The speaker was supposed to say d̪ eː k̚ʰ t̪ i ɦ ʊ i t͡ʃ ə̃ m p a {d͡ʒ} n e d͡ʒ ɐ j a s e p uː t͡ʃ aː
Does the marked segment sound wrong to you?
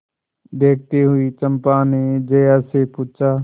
yes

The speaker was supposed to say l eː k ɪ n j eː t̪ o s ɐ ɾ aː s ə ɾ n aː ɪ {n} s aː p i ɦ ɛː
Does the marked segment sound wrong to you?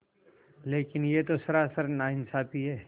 no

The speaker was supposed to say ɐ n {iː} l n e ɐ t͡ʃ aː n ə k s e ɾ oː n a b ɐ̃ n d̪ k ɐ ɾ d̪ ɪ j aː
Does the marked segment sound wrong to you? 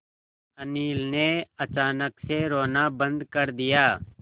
no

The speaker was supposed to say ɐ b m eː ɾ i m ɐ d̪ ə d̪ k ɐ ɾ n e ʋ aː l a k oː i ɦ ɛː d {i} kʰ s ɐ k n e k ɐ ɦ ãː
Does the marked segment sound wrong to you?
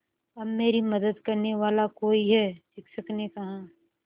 yes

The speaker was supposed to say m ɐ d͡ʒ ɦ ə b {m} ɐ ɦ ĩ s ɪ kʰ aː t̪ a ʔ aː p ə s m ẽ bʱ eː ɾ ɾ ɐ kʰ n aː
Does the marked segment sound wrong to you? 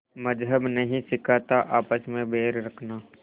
yes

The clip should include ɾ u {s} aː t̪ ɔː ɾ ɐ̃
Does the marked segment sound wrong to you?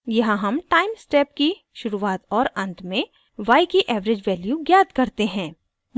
yes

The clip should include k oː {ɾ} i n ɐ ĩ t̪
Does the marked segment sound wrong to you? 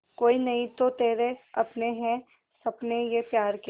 yes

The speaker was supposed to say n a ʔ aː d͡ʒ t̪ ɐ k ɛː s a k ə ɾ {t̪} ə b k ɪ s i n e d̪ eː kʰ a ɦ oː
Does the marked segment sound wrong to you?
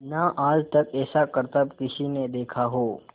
no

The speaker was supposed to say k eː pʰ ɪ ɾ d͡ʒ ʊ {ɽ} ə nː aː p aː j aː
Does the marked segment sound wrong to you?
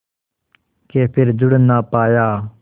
no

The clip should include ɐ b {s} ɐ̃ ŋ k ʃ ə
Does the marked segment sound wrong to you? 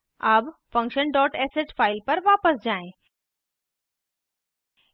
yes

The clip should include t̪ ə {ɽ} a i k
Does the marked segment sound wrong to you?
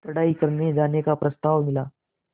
no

